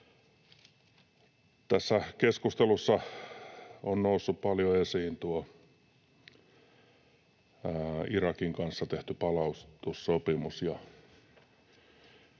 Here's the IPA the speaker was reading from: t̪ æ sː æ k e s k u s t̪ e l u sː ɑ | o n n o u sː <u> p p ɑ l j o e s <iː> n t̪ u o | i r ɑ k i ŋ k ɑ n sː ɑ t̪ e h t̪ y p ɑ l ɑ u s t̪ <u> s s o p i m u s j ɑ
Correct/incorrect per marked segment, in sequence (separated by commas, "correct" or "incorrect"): correct, correct, correct